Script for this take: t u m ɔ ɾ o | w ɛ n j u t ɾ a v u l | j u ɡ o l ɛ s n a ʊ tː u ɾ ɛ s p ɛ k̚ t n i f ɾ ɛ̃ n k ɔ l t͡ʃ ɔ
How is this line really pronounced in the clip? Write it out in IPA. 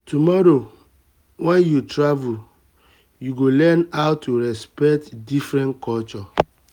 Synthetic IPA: t u m ɔ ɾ o | w ɛ n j u t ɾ a v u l | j u ɡ o l ɛ n a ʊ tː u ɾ ɛ s p ɛ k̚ t d i f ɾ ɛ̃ n k ɔ l t͡ʃ ɔ